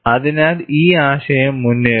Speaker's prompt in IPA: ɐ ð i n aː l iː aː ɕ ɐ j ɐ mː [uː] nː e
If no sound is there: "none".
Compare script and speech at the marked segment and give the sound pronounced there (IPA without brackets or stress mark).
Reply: u